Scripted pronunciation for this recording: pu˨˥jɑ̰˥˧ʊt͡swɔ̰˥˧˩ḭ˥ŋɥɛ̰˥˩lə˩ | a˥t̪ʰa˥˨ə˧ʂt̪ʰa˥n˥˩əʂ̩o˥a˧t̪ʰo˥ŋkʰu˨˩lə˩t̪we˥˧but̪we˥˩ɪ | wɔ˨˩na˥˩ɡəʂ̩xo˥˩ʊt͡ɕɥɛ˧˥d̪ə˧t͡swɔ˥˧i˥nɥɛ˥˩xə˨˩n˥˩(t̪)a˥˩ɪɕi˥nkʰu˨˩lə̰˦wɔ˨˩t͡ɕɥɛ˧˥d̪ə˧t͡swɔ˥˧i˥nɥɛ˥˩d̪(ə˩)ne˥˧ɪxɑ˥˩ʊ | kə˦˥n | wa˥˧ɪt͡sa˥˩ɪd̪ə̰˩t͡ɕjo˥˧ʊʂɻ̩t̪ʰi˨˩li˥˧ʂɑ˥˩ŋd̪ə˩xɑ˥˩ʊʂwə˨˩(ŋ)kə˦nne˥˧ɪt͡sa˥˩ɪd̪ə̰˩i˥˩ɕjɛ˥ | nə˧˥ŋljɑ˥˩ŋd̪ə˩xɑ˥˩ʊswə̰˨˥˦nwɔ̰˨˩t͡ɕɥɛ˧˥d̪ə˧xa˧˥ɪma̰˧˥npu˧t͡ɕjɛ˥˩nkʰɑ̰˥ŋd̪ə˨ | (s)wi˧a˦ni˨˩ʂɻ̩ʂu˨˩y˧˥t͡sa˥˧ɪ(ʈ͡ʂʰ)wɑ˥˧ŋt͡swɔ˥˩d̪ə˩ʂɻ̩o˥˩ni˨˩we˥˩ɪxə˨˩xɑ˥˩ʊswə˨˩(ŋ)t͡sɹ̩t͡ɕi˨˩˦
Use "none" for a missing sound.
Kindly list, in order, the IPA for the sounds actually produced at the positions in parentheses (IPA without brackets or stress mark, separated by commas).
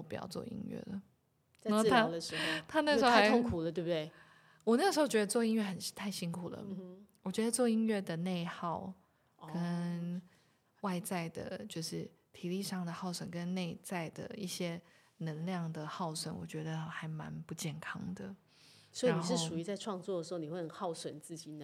t̪ʰ, ə˩, n, s, ʈ͡ʂʰ, n